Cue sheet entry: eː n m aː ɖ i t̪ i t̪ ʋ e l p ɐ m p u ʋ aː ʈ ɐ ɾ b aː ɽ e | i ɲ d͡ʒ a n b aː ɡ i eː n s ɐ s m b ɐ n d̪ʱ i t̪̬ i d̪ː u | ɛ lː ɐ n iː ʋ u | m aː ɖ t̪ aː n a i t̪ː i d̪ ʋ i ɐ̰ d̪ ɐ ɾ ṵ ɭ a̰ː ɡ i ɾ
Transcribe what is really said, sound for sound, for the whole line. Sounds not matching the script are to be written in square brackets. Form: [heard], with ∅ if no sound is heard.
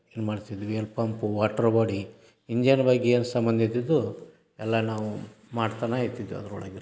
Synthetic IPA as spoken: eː n m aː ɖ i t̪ i [d̪] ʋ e l p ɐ m p u ʋ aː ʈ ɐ ɾ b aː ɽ [i] | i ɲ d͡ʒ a n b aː ɡ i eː n s ɐ [∅] m b ɐ n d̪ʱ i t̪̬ i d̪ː u | ɛ lː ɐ n [aː] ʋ u | m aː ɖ t̪ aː n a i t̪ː i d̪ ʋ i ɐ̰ d̪ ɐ ɾ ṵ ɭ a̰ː ɡ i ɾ